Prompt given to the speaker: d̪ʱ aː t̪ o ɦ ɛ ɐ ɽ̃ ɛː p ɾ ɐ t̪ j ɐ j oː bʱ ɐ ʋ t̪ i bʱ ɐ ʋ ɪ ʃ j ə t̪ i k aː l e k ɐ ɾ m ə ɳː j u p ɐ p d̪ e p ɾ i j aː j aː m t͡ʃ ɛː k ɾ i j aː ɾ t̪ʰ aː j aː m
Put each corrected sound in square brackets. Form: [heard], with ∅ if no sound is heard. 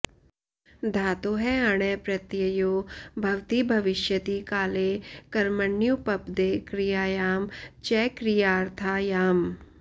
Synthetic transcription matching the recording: d̪ʱ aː t̪ o ɦ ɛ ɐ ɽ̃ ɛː p ɾ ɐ t̪ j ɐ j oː bʱ ɐ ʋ t̪ i bʱ ɐ ʋ ɪ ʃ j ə t̪ i k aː l e k ɐ ɾ m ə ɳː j u p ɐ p d̪ e [k] ɾ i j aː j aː m t͡ʃ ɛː k ɾ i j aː ɾ t̪ʰ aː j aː m